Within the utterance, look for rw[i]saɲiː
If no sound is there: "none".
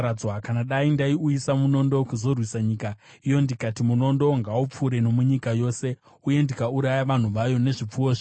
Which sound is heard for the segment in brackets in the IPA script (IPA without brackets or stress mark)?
i